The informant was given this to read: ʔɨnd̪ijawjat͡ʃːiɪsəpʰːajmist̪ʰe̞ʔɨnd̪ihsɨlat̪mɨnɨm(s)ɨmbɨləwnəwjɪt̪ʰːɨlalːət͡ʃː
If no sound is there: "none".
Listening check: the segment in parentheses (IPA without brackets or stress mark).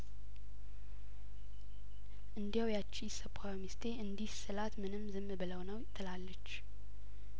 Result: z